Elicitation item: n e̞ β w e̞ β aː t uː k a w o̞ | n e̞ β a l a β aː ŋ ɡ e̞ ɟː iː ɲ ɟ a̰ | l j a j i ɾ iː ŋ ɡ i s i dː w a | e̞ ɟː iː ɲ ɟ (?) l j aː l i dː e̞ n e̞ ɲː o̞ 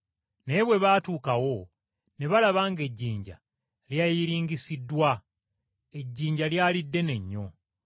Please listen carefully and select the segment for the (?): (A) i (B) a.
B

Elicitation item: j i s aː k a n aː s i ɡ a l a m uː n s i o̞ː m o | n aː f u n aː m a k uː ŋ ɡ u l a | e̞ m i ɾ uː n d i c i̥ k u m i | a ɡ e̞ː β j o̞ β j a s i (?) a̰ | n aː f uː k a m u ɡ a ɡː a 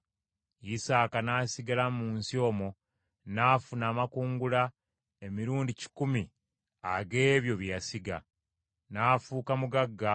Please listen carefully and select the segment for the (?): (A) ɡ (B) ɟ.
A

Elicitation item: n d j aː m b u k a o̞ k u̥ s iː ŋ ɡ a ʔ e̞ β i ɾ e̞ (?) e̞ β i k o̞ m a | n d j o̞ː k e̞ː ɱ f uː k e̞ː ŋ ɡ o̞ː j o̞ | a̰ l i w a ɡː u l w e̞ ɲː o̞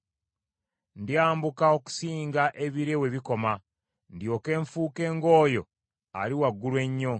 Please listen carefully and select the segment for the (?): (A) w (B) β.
A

